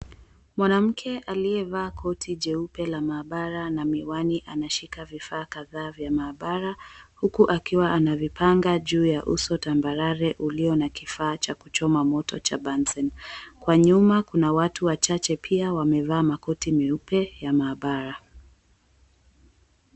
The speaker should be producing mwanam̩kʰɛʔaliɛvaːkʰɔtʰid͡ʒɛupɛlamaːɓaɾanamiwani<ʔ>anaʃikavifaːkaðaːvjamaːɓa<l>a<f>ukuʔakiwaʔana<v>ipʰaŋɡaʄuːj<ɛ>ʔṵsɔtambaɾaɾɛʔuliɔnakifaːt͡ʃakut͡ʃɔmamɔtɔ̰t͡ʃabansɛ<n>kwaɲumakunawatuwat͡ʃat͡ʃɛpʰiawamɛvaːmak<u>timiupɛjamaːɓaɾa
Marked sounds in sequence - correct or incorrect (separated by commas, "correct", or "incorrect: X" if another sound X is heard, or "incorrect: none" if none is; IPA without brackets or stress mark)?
correct, incorrect: ɾ, incorrect: h, correct, incorrect: a, correct, incorrect: ɔ